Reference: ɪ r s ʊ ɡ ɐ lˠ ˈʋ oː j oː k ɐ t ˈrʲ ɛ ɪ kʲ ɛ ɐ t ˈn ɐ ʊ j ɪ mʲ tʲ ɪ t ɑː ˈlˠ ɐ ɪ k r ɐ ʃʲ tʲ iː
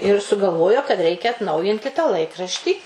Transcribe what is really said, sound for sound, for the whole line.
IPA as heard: ɪ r s ʊ ɡ ɐ lˠ ˈʋ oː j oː k ɐ t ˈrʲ ɛ ɪ kʲ ɛ ɐ t ˈn ɐ ʊ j ɪ nʲ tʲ ɪ t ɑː ˈlˠ ɐ ɪ k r ɐ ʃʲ tʲ iː

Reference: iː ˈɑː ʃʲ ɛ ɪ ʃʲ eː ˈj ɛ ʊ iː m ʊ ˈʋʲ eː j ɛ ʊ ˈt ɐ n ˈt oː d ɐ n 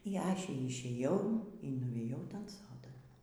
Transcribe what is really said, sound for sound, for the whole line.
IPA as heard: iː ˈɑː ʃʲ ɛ ɪ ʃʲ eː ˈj ɛ ʊ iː n ʊ ˈʋʲ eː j ɛ ʊ ˈt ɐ n ˈs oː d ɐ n

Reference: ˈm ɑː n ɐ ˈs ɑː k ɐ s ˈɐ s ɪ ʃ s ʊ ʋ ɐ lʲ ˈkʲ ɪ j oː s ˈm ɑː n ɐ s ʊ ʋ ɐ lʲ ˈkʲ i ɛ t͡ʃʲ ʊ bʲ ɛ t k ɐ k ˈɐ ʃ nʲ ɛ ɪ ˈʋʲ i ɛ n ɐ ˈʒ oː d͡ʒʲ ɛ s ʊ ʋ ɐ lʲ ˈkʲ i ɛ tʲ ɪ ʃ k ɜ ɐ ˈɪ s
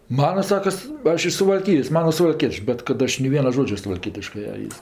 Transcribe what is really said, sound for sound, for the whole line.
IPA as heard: ˈm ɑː n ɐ ˈs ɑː k ɐ s ˈɐ ʃ ɪ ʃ s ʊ ʋ ɐ lʲ ˈkʲ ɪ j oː s ˈm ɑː n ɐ s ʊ ʋ ɐ lʲ ˈkʲ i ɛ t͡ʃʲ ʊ bʲ ɛ t k ɐ t ˈɐ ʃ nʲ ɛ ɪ ˈʋʲ i ɛ n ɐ ˈʒ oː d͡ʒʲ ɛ s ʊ ʋ ɐ lʲ ˈkʲ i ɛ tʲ ɪ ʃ k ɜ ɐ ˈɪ s

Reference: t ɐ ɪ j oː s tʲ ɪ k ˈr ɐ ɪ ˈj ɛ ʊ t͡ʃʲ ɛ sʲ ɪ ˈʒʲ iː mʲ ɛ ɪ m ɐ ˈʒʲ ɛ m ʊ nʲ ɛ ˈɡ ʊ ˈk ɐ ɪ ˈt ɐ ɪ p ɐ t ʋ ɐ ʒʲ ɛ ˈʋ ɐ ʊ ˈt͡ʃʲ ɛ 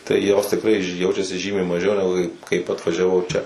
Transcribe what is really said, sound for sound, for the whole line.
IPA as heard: t ɐ ɪ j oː s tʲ ɪ k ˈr ɐ ɪ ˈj ɛ ʊ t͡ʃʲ ɛ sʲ ɪ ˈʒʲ iː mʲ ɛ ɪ m ɐ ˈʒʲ ɛ ʊ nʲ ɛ ˈɡ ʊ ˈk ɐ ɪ ˈk ɐ ɪ p ɐ t ʋ ɐ ʒʲ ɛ ˈʋ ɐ ʊ ˈt͡ʃʲ ɛ

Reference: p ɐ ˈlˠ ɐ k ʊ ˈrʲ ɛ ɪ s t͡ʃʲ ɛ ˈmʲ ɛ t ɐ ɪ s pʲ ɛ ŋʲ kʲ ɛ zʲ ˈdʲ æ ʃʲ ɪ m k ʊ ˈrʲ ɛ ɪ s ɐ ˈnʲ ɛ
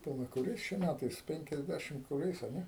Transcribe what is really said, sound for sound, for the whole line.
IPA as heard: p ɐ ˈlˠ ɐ k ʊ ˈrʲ ɛ ɪ s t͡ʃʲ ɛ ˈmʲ æ t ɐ ɪ s pʲ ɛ ŋʲ kʲ ɛ zʲ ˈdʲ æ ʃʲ ɪ m k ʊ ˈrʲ ɛ ɪ s ɐ ˈnʲ ɛ

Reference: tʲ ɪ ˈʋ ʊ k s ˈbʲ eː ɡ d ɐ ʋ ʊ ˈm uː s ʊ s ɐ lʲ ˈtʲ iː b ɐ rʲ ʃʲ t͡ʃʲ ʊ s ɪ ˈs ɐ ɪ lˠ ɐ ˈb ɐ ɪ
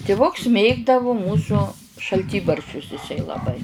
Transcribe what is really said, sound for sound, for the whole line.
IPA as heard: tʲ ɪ ˈʋ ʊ k s ˈmʲ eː ɡ d ɐ ʋ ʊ ˈm uː s ʊ ʃ ɐ lʲ ˈtʲ iː b ɐ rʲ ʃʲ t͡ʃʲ ʊ s ɪ ˈs ɐ ɪ lˠ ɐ ˈb ɐ ɪ

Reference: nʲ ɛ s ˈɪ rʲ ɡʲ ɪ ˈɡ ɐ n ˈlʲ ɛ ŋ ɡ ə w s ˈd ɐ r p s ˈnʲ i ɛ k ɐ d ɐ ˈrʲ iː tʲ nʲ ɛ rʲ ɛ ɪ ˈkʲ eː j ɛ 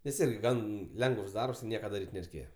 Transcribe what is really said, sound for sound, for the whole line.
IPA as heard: nʲ ɛ s ˈɪ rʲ ɡʲ ɪ ˈɡ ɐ n ˈlʲ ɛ ŋ ɡ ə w s ˈd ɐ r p s ˈnʲ i ɛ k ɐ d ɐ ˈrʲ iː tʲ nʲ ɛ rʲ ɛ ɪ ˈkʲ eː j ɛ

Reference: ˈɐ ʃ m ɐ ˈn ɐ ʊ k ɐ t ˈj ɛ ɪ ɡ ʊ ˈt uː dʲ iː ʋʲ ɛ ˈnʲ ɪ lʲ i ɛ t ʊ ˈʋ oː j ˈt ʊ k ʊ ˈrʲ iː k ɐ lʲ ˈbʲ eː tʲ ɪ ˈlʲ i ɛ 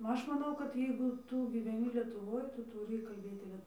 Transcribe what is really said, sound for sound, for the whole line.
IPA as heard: ˈɐ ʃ m ɐ ˈn ɐ ʊ k ɐ t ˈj ɛ ɪ ɡ ʊ ˈt uː ɡʲ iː ʋʲ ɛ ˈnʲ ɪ lʲ i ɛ t ʊ ˈʋ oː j ˈt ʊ t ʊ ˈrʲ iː k ɐ lʲ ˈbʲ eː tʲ ɪ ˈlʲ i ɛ

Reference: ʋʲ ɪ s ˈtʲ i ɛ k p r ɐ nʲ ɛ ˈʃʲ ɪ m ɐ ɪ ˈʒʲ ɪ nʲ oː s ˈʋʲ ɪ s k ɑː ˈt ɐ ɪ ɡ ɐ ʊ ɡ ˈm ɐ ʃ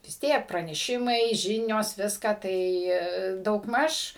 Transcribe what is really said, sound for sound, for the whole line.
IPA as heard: ʋʲ ɪ s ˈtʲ i ɛ k p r ɐ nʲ ɛ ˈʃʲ ɪ m ɐ ɪ ˈʒʲ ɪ nʲ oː s ˈʋʲ ɪ s k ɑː ˈt ɐ ɪ d ɐ ʊ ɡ ˈm ɐ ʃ

